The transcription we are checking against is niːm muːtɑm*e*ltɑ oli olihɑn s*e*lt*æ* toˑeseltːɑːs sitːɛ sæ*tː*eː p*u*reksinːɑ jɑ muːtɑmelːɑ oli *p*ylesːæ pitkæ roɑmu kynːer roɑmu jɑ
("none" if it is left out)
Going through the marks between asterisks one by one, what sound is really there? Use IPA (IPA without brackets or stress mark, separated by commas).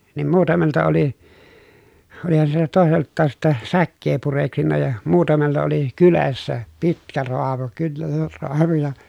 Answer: e, i, æ, kː, u, k